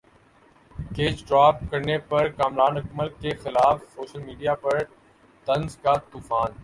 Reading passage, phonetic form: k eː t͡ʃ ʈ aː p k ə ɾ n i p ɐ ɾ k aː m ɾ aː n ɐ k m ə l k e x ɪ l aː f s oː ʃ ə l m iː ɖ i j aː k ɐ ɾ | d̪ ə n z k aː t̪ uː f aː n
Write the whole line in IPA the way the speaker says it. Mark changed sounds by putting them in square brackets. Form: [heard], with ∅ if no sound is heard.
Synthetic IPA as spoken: k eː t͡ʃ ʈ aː p k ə ɾ n [e] p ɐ ɾ k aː m ɾ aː n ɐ k m ə l k e x ɪ l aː f s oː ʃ ə l m iː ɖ i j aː [p] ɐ ɾ | [t̪] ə n z k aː t̪ uː f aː n

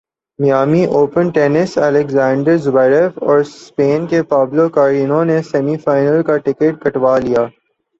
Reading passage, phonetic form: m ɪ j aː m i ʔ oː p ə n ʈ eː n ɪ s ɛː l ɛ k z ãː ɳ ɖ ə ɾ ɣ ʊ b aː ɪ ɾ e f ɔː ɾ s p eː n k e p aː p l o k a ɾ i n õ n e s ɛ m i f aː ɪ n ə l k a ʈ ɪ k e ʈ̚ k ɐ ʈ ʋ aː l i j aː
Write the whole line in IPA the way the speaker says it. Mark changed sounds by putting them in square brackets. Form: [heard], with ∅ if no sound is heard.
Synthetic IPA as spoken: m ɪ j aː m i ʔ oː p ə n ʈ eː n ɪ s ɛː l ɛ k z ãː ɳ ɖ ə ɾ [z] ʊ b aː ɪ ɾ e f ɔː ɾ s p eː n k e p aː [b] l o k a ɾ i n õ n e s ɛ m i f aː ɪ n ə l k a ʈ ɪ k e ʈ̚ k ɐ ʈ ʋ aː l i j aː

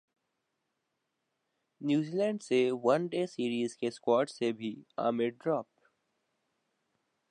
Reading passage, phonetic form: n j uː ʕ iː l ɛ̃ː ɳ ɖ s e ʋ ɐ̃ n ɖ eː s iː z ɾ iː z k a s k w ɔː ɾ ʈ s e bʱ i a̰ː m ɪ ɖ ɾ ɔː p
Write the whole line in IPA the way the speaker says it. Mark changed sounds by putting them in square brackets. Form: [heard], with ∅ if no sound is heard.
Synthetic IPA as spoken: n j uː [z] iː l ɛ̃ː ɳ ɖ s e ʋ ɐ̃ n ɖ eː s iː [∅] ɾ iː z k [e] s k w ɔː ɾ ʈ s e bʱ i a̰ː m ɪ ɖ ɾ ɔː p

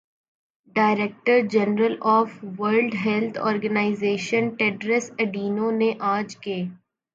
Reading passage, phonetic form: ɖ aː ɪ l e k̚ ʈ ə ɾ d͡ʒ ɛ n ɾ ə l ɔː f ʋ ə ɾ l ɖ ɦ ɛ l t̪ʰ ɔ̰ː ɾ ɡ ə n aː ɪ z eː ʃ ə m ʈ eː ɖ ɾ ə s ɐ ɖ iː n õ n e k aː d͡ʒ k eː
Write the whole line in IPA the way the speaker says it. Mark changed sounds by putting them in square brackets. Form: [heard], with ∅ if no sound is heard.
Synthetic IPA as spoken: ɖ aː ɪ [ɾ] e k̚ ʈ ə ɾ d͡ʒ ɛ n ɾ ə l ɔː f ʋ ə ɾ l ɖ ɦ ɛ l t̪ʰ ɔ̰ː ɾ ɡ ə n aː ɪ z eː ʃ ə [n] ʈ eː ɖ ɾ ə s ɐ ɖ iː n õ n e [ʔ] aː d͡ʒ k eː

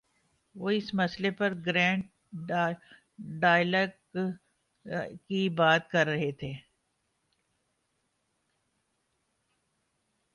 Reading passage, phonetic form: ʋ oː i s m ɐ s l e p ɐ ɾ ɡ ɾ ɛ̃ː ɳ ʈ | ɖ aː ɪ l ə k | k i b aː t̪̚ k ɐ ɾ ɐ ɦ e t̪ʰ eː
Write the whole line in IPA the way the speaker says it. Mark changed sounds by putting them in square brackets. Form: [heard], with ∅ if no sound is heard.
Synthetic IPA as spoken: ʋ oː [ɪ] s m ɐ s l e p ɐ ɾ ɡ ɾ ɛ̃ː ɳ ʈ | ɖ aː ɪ l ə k | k i b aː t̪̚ k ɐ [ɾː] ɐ ɦ e t̪ʰ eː

